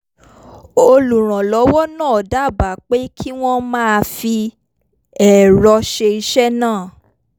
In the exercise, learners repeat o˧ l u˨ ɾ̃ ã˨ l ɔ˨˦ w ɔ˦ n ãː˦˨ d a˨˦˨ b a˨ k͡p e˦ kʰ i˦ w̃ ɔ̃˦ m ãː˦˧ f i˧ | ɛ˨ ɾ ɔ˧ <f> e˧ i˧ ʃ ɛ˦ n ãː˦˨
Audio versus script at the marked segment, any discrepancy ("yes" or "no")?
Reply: yes